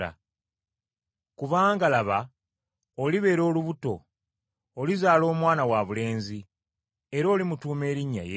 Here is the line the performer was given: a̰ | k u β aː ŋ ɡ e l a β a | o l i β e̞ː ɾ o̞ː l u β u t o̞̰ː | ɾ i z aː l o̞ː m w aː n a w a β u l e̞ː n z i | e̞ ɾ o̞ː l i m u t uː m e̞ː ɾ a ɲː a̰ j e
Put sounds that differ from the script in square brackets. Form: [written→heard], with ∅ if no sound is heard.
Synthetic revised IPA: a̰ | k u β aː ŋ ɡ [e→a] l a β a | o l i β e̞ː ɾ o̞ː l u β u t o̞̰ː | [ɾ→l] i z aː l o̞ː m w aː n a w a β u l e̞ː n z i | e̞ ɾ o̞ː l i m u t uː m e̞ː ɾ [a→i] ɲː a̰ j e